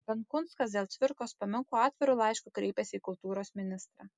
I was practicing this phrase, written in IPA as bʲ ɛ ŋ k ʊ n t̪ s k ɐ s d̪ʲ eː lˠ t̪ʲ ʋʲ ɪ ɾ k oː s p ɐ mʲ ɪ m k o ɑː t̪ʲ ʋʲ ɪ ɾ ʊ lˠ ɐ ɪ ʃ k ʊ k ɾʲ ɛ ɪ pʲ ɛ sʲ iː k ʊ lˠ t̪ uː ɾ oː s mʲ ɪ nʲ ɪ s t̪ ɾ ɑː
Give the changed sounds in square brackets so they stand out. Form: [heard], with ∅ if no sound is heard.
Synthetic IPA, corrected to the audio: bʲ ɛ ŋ k ʊ n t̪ s k ɐ s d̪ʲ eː lˠ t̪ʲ ʋʲ ɪ ɾ k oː s p ɐ mʲ ɪ [ŋ] k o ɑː t̪ʲ ʋʲ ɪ ɾ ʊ lˠ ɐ ɪ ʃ k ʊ k ɾʲ ɛ ɪ pʲ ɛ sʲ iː k ʊ lˠ t̪ uː ɾ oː s mʲ ɪ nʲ ɪ s t̪ ɾ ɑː